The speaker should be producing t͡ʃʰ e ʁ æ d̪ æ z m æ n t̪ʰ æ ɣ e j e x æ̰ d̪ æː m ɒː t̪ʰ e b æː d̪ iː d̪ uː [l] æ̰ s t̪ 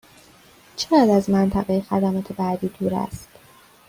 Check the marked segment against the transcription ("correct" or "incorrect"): incorrect